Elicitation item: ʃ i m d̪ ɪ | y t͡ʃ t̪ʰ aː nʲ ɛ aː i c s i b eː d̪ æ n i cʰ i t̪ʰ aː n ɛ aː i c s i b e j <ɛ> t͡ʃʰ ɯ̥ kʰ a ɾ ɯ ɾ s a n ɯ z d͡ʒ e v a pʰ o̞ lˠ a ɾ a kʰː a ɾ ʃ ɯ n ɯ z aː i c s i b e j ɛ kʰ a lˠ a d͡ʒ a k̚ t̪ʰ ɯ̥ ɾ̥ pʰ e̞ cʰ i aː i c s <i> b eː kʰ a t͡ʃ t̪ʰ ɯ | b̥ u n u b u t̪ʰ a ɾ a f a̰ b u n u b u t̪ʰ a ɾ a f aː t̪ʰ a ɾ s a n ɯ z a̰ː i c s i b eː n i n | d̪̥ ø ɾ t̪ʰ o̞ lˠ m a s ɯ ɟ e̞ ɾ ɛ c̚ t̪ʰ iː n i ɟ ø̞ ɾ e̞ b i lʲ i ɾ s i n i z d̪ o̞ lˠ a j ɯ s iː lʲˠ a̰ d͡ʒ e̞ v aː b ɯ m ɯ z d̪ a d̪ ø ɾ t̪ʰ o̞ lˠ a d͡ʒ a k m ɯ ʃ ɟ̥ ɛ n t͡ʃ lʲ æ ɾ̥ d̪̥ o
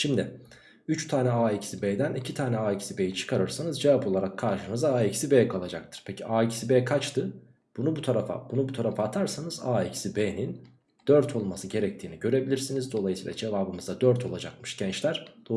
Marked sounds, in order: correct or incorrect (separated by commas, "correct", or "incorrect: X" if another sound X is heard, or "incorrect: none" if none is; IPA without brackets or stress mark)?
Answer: incorrect: i, correct